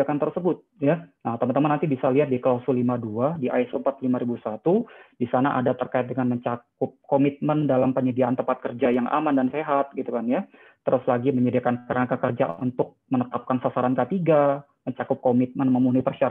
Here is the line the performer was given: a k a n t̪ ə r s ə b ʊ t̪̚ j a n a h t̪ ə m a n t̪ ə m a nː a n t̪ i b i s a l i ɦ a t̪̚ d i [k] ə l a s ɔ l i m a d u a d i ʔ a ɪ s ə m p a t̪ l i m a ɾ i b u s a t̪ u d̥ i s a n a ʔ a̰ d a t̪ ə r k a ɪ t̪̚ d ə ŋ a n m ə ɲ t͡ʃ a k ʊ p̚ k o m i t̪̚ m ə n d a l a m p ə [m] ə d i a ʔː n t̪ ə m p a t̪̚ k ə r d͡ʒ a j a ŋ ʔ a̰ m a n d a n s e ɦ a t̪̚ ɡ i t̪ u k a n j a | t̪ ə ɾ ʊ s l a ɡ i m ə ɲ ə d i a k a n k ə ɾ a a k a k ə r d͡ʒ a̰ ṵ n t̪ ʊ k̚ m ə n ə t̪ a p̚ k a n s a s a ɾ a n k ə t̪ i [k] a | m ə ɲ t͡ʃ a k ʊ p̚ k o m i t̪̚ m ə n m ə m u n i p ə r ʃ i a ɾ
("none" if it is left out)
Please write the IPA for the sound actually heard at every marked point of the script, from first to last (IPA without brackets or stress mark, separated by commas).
k, ɲ, ɡ